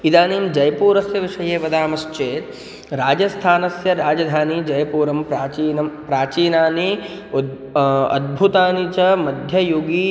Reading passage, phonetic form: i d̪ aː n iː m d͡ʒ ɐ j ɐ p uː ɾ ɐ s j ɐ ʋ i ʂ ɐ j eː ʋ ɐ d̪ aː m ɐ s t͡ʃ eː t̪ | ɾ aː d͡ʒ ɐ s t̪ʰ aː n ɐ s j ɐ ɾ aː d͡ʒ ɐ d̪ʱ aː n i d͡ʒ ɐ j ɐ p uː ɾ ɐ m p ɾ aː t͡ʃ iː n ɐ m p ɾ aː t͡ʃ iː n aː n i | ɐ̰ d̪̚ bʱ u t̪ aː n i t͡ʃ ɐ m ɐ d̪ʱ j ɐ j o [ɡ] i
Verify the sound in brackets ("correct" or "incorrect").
correct